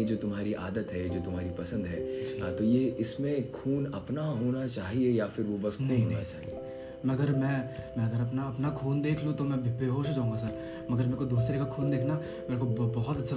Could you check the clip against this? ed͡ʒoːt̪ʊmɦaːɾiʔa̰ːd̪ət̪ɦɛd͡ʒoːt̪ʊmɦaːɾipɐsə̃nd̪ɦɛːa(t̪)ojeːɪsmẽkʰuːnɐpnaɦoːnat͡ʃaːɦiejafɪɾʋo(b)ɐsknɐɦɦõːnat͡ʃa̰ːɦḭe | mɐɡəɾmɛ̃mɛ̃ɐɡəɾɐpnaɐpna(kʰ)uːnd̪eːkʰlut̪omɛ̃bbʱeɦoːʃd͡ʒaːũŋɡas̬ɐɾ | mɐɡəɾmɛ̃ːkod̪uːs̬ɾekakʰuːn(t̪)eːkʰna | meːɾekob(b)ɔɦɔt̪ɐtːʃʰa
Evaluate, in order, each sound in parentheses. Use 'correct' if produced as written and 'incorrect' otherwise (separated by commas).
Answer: correct, correct, correct, incorrect, correct